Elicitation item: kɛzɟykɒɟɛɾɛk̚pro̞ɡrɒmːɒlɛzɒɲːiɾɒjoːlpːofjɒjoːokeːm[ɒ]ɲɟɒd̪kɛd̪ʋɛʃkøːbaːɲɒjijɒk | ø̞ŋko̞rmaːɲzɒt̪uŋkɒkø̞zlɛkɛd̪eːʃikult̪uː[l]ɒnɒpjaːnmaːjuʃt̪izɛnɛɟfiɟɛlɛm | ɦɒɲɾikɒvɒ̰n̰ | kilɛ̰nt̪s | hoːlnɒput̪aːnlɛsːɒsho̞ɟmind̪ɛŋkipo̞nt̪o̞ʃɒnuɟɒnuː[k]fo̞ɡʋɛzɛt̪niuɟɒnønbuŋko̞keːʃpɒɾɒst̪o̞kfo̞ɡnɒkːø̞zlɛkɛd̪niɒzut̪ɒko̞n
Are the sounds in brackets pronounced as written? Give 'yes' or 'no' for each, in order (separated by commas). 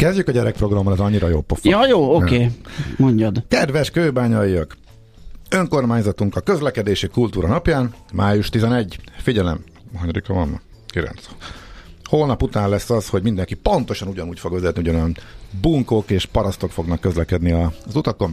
no, no, no